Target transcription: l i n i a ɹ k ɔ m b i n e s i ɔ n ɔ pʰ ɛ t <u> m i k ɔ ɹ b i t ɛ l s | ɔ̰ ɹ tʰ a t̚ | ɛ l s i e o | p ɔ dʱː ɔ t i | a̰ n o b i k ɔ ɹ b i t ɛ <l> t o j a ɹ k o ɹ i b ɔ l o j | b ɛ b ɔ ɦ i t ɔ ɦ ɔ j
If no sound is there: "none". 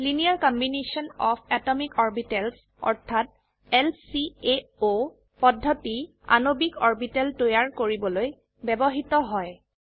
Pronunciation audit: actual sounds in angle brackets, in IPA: ɔ, l

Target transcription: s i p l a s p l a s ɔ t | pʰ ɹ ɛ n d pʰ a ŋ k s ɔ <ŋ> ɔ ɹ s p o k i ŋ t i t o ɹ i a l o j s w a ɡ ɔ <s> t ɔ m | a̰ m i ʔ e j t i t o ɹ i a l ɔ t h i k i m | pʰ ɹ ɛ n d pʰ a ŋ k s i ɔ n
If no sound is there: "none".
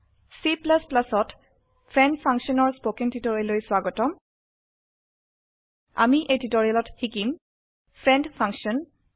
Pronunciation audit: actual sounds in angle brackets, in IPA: n, none

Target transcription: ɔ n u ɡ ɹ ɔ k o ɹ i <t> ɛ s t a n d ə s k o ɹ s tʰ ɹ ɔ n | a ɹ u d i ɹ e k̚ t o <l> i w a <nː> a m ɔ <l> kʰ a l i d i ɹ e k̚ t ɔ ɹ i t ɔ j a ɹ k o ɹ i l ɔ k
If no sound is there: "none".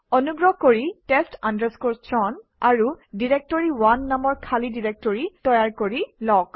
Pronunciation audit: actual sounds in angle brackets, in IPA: t, ɹ, nː, ɹ

